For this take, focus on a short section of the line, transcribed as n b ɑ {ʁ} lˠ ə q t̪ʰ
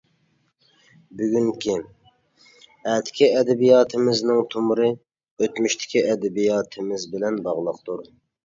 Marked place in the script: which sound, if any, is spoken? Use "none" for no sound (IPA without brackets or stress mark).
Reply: ʁ